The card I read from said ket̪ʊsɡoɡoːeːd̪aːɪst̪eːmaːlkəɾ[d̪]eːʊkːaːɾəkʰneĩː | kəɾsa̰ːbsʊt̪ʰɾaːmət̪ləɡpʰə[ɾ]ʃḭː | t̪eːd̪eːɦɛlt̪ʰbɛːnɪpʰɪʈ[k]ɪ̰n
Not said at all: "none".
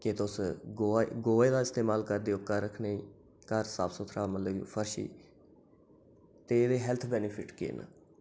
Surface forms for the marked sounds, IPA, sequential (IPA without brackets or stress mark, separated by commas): d̪, ɾ, k